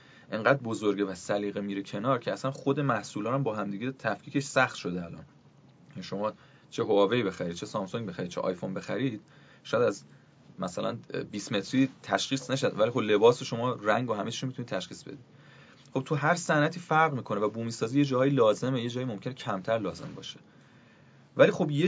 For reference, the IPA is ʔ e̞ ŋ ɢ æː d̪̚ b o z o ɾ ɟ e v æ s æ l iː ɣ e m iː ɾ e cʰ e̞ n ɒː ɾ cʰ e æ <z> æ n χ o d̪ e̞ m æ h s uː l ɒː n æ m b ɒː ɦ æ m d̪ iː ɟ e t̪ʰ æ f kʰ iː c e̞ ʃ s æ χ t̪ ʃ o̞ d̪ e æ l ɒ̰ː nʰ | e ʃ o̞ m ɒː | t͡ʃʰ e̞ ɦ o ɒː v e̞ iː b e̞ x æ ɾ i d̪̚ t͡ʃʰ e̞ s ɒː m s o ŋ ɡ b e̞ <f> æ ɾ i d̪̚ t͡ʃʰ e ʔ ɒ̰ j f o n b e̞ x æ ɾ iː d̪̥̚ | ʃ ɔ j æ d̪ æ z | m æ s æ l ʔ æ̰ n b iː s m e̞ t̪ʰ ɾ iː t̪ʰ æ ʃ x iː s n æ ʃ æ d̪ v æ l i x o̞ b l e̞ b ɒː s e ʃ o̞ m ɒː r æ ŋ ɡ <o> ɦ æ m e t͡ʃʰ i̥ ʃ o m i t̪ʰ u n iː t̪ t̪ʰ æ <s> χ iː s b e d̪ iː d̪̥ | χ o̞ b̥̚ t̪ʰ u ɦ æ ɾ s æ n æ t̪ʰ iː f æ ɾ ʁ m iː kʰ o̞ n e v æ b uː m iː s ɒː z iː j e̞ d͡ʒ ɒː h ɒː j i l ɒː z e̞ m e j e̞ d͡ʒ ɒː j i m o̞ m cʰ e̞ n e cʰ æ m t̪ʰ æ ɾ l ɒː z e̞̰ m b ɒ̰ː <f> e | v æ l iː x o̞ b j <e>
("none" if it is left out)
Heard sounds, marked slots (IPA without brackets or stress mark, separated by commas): s, x, o, ʃ, ʃ, e